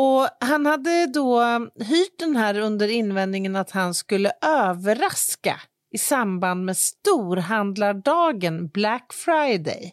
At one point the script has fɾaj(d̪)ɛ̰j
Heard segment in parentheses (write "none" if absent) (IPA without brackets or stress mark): d̪